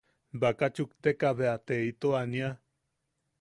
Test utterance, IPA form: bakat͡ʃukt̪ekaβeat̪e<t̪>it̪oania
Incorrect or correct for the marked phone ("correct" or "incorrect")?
incorrect